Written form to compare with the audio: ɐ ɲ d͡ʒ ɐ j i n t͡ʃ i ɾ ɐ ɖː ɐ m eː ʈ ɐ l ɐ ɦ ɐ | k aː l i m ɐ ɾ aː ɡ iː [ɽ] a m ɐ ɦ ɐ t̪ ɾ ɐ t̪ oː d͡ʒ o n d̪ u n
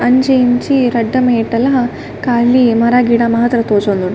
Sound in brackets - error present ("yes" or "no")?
no